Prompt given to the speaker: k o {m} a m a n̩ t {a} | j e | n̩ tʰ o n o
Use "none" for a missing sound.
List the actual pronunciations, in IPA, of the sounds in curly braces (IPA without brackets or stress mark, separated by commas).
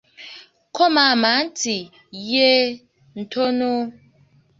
m, i